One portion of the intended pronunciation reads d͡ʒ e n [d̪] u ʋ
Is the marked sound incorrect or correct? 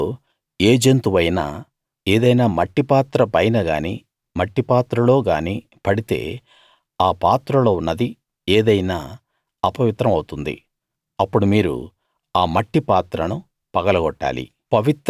incorrect: t̪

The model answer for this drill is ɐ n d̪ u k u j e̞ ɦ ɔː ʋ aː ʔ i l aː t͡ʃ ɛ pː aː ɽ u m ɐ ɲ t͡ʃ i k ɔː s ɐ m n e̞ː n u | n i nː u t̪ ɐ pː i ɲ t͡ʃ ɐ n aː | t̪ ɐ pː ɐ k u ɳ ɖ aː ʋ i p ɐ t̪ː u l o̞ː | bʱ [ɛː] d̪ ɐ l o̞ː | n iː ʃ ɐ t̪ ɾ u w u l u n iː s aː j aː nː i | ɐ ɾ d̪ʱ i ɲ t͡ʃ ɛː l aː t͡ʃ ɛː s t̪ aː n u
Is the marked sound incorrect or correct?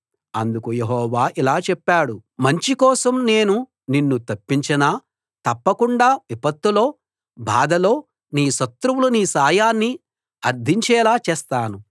incorrect: aː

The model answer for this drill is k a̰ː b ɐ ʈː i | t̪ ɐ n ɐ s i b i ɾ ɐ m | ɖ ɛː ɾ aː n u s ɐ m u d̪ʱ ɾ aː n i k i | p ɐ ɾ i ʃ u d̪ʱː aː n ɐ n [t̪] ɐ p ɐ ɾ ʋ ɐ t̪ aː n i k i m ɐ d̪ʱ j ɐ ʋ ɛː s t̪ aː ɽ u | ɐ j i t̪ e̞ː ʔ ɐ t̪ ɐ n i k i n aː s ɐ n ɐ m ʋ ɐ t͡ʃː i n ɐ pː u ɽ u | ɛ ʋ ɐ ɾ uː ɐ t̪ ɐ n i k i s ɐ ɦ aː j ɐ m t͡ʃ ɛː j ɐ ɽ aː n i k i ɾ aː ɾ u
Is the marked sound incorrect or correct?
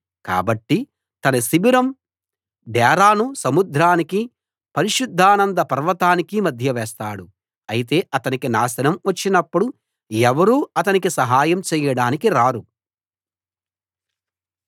incorrect: d̪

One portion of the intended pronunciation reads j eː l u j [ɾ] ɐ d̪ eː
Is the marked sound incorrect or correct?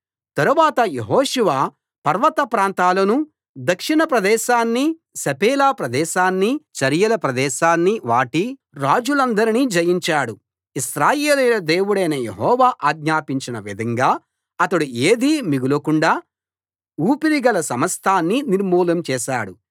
incorrect: l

